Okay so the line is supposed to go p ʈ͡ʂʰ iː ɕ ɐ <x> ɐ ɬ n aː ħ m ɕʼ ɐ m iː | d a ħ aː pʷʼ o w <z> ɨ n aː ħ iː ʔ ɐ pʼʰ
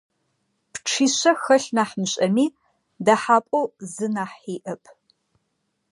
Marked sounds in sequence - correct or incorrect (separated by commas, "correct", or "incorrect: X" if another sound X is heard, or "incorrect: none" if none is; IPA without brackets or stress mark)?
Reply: correct, correct